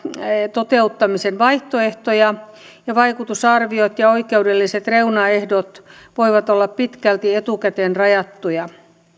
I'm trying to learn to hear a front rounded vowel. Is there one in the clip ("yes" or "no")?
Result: no